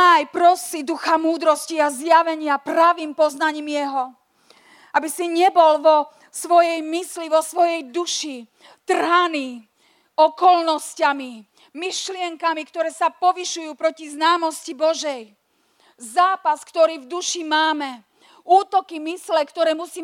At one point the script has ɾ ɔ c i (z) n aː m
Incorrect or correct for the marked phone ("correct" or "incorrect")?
correct